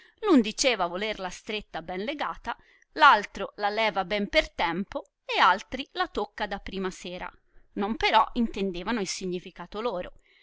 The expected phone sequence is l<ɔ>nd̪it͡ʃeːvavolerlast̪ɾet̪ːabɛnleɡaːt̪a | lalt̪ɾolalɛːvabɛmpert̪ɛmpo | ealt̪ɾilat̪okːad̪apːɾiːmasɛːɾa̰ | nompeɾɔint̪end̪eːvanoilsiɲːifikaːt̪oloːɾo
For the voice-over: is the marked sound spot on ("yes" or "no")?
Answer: no